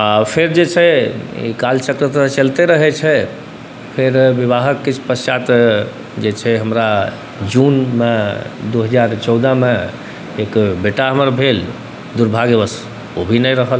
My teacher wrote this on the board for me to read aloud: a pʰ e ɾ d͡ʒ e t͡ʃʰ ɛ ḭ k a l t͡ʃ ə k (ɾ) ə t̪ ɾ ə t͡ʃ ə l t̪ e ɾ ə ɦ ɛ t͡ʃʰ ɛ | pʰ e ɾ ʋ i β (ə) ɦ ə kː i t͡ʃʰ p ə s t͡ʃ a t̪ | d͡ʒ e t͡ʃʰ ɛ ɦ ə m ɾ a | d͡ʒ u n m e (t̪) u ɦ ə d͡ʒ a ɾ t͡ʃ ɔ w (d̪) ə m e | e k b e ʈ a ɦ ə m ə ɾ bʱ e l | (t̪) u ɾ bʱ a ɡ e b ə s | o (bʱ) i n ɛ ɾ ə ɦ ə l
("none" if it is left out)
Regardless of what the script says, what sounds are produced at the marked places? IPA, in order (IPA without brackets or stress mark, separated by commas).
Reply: ɾ, a, d̪, d̪, d̪, bʱ